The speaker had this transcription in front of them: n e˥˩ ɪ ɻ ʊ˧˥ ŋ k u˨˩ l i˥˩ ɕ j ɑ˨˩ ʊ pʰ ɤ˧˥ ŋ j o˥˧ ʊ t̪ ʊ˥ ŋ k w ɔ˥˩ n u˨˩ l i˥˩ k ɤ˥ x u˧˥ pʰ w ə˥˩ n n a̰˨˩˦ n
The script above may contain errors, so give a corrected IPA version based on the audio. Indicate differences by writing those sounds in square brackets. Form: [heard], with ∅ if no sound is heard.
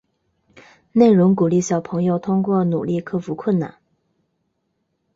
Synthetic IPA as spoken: n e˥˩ ɪ ɻ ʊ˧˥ ŋ k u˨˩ l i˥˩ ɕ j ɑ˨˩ ʊ pʰ ɤ˧˥ ŋ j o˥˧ ʊ [t̪ʰ] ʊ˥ ŋ k w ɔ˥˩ n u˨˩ l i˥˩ [kʰ] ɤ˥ [f] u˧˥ [kʰ] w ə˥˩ n n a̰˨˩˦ n